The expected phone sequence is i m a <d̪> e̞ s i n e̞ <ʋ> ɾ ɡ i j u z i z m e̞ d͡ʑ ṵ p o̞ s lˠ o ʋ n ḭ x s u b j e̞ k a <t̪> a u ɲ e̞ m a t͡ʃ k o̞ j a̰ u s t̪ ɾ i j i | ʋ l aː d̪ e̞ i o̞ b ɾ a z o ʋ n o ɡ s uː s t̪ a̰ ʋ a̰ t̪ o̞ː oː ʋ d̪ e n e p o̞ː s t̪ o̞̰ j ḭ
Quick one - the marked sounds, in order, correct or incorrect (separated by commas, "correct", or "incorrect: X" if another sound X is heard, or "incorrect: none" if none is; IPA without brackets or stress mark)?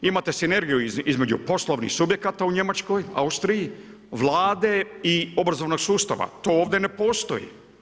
incorrect: t̪, incorrect: none, correct